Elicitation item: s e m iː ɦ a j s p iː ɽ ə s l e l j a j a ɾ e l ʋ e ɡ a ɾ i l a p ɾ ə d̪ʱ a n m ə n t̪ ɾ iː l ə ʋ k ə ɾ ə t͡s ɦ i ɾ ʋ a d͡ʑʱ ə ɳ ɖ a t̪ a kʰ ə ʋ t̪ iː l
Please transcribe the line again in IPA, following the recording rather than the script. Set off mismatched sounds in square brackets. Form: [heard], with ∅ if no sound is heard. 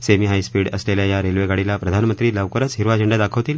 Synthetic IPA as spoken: s e m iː ɦ a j s p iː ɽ ə s l e l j a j a ɾ e l ʋ e ɡ a [ɽ] i l a p ɾ ə d̪ʱ a n m ə n t̪ ɾ iː l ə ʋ k ə ɾ ə t͡s ɦ i ɾ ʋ a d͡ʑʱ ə ɳ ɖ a [d̪] a kʰ ə ʋ t̪ iː l